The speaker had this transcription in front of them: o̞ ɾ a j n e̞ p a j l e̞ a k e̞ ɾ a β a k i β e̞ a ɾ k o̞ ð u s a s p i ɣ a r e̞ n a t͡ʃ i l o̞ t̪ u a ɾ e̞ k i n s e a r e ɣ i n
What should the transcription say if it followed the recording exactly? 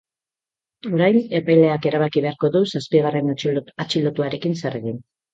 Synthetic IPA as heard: o̞ ɾ a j n e̞ p a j l e̞ a k e̞ ɾ a β a k i β e̞ a ɾ k o̞ ð u s a s p i ɣ a r e̞ n a t͡ʃ i l o̞ t̪ u a ɾ e̞ k i n s e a r e ɣ i n